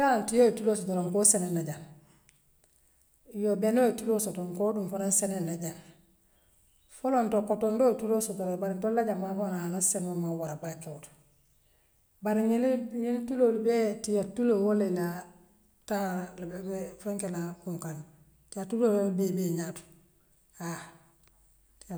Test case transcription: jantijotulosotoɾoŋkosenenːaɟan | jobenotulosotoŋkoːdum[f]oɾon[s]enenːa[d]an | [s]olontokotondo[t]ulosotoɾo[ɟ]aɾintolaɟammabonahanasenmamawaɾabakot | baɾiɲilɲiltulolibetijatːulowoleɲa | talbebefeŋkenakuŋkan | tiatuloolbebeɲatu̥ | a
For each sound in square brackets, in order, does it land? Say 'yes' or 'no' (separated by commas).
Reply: yes, yes, no, no, yes, no